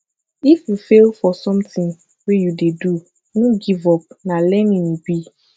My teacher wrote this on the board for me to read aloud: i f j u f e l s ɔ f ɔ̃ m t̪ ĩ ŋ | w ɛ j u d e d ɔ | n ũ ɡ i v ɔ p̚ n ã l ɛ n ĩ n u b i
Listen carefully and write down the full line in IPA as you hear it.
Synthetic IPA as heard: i f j u f e l f ɔ s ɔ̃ m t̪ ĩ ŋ | w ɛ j u d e d u | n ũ ɡ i v ɔ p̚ n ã l ɛ n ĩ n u b i